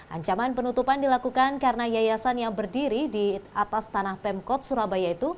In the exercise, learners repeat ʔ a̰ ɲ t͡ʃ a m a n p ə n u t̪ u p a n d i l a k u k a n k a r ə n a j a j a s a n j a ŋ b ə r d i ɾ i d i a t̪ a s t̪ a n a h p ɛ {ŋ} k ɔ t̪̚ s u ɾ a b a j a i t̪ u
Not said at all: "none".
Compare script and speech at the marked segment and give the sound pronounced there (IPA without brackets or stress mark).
m